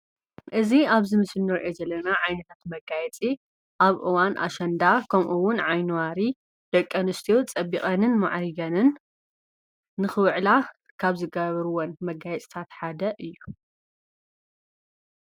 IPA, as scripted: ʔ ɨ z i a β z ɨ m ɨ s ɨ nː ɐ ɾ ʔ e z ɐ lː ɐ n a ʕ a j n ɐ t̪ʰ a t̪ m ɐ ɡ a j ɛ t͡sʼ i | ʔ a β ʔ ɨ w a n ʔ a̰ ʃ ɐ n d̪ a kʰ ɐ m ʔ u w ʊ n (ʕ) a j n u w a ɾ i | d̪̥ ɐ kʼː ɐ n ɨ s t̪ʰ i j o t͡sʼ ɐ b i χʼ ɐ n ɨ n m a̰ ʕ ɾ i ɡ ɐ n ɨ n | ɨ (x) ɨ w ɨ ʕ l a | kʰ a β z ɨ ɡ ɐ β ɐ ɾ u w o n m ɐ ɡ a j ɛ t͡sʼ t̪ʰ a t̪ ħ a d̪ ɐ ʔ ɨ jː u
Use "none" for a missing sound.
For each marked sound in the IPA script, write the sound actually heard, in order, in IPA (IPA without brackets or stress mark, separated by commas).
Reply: ʕ, x